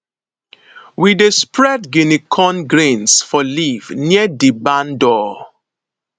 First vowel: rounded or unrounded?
unrounded